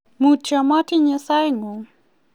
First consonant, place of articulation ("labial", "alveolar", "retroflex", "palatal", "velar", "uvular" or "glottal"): labial